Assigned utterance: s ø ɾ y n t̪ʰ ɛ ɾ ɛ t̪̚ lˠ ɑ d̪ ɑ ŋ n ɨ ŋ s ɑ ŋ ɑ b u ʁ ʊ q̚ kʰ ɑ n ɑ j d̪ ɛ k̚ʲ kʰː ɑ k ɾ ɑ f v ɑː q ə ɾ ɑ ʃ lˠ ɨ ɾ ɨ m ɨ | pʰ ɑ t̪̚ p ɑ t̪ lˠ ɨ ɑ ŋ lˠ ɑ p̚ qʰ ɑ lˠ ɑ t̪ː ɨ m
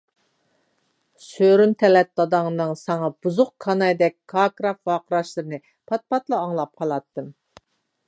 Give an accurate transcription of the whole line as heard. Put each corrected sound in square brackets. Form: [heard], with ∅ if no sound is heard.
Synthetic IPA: s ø ɾ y n t̪ʰ ɛ [l] ɛ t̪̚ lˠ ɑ d̪ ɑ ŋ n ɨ ŋ s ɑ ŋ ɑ b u [z] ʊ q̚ kʰ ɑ n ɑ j d̪ ɛ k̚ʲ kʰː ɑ k ɾ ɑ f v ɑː q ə ɾ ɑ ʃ lˠ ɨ ɾ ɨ [n] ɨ | pʰ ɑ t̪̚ p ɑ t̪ lˠ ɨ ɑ ŋ lˠ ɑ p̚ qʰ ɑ lˠ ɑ t̪ː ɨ m